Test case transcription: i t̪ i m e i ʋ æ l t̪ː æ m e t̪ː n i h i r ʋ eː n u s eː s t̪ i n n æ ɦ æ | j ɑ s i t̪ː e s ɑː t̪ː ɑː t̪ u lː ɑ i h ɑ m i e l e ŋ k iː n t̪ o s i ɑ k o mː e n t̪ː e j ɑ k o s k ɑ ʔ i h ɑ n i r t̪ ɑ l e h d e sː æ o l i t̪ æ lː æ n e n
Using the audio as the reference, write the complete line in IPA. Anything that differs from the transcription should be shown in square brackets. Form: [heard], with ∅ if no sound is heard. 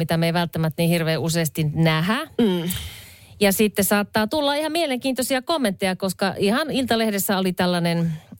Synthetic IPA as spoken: i t̪ [æ] m e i ʋ æ l t̪ː æ m [æ] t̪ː n i h i r ʋ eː [∅] u s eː s t̪ i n n æ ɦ æ | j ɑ s i t̪ː e s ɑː t̪ː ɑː t̪ u lː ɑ i h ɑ m i e l e ŋ k iː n t̪ o s i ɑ k o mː e n t̪ː e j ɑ k o s k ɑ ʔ i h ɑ n i [l] t̪ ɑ l e h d e sː æ o l i t̪ æ lː æ n e n